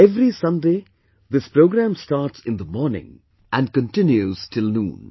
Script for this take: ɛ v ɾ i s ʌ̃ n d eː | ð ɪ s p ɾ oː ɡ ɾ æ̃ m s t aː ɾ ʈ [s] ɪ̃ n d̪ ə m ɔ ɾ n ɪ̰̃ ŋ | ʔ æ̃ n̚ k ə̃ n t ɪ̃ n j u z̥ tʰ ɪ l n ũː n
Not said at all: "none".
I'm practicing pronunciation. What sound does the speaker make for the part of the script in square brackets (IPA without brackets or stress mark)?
s